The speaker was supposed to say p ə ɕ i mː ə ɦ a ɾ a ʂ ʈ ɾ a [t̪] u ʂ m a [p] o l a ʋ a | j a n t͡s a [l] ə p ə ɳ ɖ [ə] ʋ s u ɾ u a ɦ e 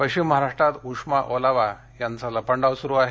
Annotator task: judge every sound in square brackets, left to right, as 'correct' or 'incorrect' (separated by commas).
correct, incorrect, correct, incorrect